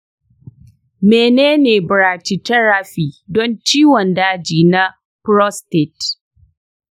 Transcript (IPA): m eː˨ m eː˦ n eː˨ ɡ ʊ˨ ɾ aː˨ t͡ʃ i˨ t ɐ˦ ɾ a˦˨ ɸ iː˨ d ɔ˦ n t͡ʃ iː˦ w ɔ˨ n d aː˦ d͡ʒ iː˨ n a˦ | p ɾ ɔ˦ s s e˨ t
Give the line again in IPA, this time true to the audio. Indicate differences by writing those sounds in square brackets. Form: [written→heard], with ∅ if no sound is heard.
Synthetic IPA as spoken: m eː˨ [m→n] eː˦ n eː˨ [ɡ→b] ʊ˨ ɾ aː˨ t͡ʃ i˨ t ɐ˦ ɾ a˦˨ ɸ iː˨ d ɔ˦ n t͡ʃ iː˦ w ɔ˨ n d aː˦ d͡ʒ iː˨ n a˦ | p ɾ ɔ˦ s [s→t] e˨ t